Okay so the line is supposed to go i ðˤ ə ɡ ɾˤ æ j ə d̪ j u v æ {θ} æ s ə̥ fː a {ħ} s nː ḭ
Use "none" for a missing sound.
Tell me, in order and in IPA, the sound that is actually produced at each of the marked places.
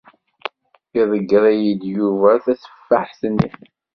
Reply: θ, ħ

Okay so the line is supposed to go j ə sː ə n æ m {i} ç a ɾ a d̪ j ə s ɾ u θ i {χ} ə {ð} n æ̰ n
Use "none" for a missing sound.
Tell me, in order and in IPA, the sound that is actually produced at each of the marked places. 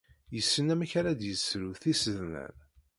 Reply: æ, s, ð

